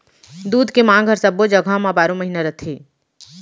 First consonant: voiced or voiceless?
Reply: voiced